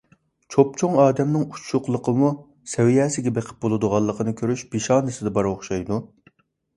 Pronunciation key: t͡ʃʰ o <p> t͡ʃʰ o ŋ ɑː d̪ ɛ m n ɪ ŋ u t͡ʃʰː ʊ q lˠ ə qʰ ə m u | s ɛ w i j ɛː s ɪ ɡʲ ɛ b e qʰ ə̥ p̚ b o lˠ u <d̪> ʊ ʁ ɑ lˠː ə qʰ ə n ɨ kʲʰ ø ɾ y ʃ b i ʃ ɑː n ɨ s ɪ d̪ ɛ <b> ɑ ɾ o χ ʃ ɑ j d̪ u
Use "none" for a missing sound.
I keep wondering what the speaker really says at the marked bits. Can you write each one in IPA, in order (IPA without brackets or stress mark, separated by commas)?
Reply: p, d̪, b